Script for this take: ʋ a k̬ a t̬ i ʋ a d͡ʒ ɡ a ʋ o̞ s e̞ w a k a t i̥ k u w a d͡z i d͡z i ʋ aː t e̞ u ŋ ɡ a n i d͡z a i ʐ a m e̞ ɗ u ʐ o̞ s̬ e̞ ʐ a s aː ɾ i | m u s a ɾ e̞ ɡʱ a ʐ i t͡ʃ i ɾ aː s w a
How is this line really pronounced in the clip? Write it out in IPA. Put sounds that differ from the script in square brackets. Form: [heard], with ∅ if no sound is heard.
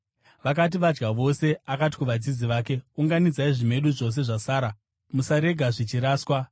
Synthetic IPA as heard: ʋ a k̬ a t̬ i ʋ a d͡ʒ ɡ a ʋ o̞ s e̞ [∅] a k a t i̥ k u [ʋ] a d͡z i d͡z i ʋ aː [k] e̞ u ŋ ɡ a n i d͡z a i ʐ [i] m e̞ ɗ u ʐ o̞ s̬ e̞ ʐ a s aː ɾ [a] | m u s a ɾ e̞ ɡʱ a ʐ i t͡ʃ i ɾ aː s w a